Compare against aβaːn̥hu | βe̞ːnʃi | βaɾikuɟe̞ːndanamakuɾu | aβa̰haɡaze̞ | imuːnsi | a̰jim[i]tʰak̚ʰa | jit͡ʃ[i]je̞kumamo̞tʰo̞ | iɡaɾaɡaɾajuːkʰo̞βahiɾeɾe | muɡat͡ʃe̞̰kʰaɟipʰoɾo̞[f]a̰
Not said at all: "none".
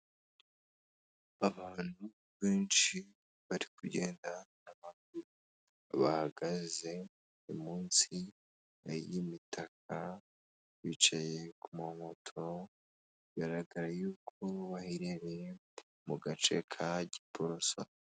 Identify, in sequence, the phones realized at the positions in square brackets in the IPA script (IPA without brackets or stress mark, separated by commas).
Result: i, a, s